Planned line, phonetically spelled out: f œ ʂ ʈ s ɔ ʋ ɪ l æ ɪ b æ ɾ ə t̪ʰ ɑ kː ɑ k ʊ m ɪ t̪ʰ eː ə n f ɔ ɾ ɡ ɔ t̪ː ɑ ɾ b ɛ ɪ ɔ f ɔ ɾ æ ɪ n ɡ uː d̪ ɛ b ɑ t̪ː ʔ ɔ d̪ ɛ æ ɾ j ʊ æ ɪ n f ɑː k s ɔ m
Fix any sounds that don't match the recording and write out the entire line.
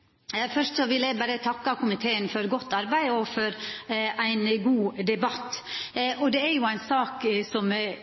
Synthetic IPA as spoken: f œ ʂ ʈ s ɔ ʋ ɪ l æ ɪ b æ ɾ ə t̪ʰ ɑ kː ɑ k ʊ m ɪ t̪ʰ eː ə n f ɔ ɾ ɡ ɔ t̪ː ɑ ɾ b æ ɪ ɔ f ɔ ɾ æ ɪ n ɡ uː d̪ ɛ b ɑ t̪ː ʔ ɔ d̪ ɛ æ ɾ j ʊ æ ɪ n s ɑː k s ɔ m